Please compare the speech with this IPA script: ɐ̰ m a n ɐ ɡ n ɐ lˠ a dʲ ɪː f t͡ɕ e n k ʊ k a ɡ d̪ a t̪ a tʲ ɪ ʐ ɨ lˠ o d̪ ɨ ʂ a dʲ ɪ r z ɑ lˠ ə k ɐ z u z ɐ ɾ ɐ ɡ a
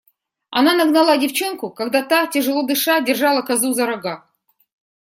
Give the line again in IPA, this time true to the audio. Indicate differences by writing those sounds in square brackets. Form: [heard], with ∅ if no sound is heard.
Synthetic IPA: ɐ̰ [n] a n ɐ ɡ n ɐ lˠ a dʲ [ɪ] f t͡ɕ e n k ʊ k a ɡ d̪ a t̪ a tʲ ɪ ʐ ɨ lˠ o d̪ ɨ ʂ a dʲ ɪ r [ʐ] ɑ lˠ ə k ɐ z u z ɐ ɾ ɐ ɡ a

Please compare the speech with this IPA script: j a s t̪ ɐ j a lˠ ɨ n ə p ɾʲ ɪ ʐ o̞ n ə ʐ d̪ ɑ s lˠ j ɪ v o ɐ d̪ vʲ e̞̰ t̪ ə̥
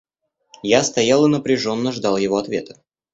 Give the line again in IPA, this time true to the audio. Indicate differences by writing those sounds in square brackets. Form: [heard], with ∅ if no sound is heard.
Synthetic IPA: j a s t̪ ɐ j a lˠ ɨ n ə p ɾʲ ɪ ʐ o̞ [nː] ə ʐ d̪ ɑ [∅] lˠ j ɪ v o ɐ [t̪] vʲ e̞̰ t̪ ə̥

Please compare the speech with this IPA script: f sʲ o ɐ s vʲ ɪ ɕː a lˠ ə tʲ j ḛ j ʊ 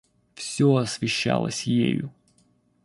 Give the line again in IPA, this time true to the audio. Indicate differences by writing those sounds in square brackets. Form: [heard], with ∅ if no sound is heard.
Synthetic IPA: f sʲ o ɐ s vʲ ɪ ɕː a lˠ ə [sʲ] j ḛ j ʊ

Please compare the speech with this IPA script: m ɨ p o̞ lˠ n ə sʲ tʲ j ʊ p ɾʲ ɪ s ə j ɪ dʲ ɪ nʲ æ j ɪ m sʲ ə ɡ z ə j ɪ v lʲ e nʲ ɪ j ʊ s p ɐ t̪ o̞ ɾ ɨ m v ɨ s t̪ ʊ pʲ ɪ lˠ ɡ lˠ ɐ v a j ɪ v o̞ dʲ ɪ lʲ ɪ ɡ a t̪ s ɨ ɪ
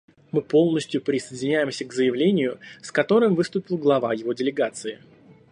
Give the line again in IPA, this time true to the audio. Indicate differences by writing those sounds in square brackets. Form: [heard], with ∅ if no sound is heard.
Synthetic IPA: m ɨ p o̞ lˠ n ə sʲ tʲ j ʊ p ɾʲ ɪ s ə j ɪ dʲ ɪ nʲ æ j ɪ m sʲ ə ɡ z ə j ɪ v lʲ e nʲ ɪ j ʊ s [k] ɐ t̪ o̞ ɾ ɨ m v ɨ s t̪ ʊ pʲ ɪ lˠ ɡ lˠ ɐ v a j ɪ v o̞ dʲ ɪ lʲ ɪ ɡ a t̪ s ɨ ɪ

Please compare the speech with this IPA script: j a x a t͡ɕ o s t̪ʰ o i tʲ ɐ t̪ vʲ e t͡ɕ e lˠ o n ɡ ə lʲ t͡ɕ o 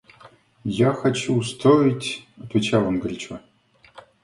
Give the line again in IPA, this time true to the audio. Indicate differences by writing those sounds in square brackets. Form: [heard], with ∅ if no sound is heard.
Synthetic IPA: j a x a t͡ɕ [u] s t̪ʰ o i tʲ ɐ t̪ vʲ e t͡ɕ [a] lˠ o n ɡ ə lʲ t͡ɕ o

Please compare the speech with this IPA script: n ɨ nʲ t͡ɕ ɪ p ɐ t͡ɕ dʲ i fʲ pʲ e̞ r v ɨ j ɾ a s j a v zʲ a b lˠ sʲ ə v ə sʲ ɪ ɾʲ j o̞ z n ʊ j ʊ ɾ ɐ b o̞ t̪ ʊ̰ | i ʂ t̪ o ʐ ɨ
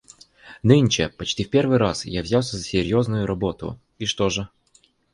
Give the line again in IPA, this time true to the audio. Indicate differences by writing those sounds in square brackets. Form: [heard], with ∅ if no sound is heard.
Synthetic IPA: n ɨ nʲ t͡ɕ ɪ p ɐ t͡ɕ [tʲ] i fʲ pʲ e̞ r v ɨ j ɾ a s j a v zʲ a [∅] lˠ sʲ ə [z] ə sʲ ɪ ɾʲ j o̞ z n ʊ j ʊ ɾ ɐ b o̞ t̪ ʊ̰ | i ʂ t̪ o ʐ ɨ

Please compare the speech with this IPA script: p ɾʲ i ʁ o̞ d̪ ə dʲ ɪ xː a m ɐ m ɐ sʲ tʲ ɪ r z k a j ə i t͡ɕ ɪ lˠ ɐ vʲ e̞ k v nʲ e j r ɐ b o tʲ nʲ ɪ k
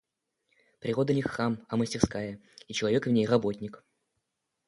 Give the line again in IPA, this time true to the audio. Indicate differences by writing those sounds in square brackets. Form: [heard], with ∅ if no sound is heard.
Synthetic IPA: p ɾʲ [ɪ] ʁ o̞ d̪ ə [nʲ] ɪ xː a m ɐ m [ə] sʲ tʲ ɪ r [s] k a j ə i t͡ɕ ɪ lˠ ɐ vʲ e̞ k v nʲ e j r ɐ b o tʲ nʲ ɪ k

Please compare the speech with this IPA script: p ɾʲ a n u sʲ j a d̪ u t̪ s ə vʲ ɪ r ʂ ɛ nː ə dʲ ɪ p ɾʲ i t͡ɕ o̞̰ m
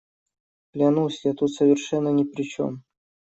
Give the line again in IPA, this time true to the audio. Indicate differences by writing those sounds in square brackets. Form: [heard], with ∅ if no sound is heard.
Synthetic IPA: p [lʲ] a n u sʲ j a [t̪] u t̪ s ə vʲ ɪ r ʂ ɛ nː ə [nʲ] ɪ p ɾʲ [ɪ] t͡ɕ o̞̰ m

